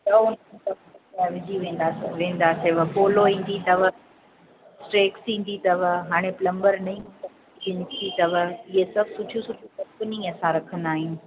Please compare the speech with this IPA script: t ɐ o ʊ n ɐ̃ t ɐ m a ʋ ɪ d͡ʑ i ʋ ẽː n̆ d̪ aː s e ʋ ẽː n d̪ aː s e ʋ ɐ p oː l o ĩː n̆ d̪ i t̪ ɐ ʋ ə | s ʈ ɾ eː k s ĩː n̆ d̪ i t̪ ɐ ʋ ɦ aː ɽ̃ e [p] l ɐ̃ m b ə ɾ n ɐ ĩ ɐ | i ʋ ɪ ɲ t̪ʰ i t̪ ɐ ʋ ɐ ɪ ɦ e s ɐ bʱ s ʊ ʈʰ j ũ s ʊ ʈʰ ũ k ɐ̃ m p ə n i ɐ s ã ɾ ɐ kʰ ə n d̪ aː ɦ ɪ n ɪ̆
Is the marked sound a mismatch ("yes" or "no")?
no